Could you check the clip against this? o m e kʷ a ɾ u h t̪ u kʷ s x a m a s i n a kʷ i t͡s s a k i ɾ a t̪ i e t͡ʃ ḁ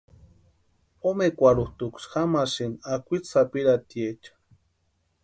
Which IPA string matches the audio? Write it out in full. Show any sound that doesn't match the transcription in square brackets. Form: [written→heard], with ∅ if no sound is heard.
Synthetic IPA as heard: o m e kʷ a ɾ u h t̪ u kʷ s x a m a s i n a kʷ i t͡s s a [k→p] i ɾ a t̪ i e t͡ʃ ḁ